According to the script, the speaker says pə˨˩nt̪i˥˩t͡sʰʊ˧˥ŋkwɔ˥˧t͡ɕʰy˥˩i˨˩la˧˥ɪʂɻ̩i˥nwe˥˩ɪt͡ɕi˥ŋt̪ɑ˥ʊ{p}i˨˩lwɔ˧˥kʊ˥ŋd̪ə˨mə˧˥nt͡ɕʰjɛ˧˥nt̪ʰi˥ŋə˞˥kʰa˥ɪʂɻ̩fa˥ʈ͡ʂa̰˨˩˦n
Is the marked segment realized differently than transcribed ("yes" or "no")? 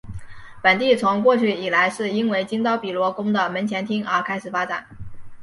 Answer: no